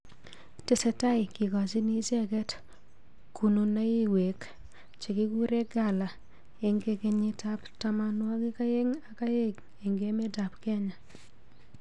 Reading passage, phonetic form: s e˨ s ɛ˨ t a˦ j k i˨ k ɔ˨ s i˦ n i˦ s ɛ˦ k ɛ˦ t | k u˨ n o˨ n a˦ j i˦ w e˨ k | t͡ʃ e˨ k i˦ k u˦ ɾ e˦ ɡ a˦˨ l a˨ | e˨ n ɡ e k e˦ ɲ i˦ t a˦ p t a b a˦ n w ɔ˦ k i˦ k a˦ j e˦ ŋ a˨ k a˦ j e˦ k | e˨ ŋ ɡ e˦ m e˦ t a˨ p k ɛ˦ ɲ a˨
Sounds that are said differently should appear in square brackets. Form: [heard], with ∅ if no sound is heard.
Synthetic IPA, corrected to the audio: [t] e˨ s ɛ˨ t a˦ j k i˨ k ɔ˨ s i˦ n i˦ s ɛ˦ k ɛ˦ t | k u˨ n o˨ n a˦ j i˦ w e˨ k | t͡ʃ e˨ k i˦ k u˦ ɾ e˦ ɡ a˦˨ l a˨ | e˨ [ŋ] ɡ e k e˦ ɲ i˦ t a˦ p t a [m] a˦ n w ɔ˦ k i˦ k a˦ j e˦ ŋ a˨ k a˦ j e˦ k | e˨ ŋ ɡ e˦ m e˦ t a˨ p k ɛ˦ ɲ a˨

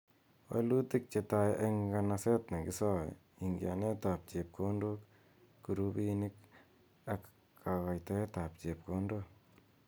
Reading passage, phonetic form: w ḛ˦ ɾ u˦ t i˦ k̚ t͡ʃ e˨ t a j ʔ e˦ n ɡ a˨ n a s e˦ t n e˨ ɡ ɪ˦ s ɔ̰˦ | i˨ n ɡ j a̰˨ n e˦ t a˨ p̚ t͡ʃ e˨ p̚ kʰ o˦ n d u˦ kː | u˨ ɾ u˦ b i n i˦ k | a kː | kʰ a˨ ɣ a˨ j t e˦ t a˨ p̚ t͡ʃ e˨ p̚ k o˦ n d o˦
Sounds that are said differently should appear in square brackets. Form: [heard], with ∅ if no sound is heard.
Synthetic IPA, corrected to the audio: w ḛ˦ [l] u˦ t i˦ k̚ t͡ʃ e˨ t a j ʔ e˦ [ŋ] ɡ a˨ n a s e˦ t n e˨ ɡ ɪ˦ s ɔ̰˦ | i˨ [ŋ] ɡ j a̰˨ n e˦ t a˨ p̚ t͡ʃ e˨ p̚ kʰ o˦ n d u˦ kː | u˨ ɾ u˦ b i n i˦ k | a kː | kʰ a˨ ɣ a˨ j t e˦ t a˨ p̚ t͡ʃ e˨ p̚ k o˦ n d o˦

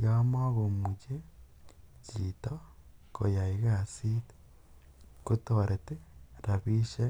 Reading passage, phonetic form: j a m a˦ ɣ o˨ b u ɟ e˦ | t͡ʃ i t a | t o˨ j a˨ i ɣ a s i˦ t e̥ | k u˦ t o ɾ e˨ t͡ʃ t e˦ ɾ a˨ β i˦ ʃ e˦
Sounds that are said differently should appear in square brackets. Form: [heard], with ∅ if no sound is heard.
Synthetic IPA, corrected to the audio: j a m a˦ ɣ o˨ [m] u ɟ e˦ | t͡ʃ i t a | [k] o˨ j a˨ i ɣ a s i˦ t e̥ | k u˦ t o ɾ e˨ [∅] t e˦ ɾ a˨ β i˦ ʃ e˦

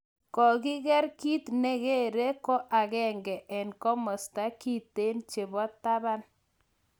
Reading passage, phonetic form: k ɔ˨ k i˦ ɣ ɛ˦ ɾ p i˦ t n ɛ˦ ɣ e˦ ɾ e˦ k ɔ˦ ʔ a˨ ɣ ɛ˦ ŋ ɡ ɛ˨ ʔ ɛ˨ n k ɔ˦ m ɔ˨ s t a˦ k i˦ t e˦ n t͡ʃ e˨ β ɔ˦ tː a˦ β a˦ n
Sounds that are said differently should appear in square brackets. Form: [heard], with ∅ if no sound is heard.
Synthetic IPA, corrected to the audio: k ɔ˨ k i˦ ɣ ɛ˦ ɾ [k] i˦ t n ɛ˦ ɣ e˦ ɾ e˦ k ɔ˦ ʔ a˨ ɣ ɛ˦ ŋ ɡ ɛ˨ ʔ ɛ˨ n k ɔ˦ m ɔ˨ s t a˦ k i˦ t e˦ n t͡ʃ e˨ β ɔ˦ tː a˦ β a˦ n

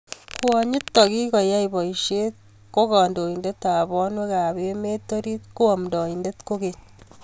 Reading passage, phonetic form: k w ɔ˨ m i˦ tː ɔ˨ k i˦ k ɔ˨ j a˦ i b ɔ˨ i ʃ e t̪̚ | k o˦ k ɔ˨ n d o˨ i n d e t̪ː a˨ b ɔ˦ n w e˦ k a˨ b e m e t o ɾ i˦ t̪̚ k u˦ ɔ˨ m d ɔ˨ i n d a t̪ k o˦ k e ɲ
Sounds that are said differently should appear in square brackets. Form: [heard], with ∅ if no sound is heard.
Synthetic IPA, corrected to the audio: k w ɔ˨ [ɲ] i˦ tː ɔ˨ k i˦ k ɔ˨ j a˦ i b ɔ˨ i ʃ e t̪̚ | k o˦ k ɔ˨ n d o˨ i n d e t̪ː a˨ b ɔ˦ n w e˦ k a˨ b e m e t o ɾ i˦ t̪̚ k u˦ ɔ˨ m d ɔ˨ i n d [e] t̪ k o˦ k e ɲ

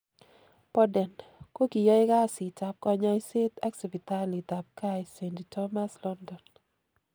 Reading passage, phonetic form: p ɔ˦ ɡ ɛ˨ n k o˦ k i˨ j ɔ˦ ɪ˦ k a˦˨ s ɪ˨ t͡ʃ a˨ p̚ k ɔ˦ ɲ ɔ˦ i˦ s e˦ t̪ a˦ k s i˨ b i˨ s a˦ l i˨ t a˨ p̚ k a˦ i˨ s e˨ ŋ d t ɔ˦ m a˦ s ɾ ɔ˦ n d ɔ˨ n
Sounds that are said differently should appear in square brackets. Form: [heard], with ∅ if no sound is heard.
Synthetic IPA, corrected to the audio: p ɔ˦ [d] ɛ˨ n k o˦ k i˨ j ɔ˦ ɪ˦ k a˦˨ s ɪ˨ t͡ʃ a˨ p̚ k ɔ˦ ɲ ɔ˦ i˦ s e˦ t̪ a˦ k s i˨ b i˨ [t] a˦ l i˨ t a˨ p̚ k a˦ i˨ s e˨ [n] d t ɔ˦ m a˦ s [l] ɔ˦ n d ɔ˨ n

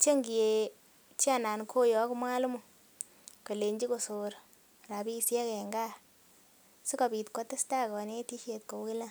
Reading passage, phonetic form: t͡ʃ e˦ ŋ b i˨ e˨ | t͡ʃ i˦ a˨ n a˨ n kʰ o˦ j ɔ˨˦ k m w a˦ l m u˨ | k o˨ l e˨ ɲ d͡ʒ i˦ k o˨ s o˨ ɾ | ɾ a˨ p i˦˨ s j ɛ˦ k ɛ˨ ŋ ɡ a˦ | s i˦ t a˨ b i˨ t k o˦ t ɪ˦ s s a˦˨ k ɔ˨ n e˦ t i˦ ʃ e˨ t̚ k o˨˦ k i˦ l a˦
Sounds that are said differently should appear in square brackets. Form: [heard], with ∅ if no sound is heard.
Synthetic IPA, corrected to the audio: t͡ʃ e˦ ŋ [ɡ] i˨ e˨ | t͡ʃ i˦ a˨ n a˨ n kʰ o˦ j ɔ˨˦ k m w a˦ l m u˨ | k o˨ l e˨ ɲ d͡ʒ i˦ k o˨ s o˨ ɾ | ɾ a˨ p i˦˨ s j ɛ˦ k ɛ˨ ŋ ɡ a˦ | s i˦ [k] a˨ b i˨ t k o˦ t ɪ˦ s [t] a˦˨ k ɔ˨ n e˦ t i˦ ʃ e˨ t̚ k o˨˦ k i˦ l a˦

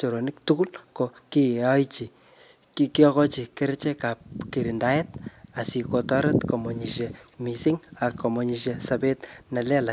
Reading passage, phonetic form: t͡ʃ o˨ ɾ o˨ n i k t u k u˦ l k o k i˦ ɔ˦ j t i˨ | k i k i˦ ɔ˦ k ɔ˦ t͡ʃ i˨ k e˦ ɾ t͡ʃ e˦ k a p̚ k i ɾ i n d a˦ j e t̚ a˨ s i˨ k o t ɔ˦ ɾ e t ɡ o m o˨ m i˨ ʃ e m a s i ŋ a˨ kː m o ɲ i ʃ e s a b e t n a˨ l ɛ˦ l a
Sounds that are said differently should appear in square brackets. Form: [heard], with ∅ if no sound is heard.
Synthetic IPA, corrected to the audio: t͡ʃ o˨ ɾ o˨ n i k t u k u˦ l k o k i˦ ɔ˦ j [t͡ʃ] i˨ | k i k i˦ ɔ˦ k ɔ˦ t͡ʃ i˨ k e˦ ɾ t͡ʃ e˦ k a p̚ k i ɾ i n d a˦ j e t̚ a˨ s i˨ k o t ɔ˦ ɾ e t [k] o m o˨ [ɲ] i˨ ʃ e m [i] s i ŋ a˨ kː m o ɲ i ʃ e s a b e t n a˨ l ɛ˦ l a

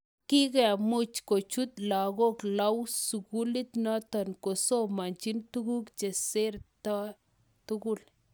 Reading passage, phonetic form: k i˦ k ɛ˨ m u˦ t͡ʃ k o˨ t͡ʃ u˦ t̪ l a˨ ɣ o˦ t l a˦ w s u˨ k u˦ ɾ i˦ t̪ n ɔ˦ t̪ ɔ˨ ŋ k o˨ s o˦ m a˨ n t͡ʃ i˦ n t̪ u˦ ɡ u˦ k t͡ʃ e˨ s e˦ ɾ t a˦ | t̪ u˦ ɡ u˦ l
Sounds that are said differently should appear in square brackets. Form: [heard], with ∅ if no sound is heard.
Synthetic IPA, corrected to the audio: k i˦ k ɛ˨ m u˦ t͡ʃ k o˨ t͡ʃ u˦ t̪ l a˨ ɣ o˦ [k] l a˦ w s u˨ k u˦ [l] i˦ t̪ n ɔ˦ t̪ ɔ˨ [n] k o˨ s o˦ m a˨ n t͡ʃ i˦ n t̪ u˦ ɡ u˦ k t͡ʃ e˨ s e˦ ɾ t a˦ | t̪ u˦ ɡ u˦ l

